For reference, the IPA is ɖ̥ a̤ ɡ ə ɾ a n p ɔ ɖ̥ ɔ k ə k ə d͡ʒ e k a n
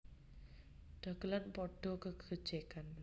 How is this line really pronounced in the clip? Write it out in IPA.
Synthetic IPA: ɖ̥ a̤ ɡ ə l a n p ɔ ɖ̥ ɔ k ə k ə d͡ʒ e k a n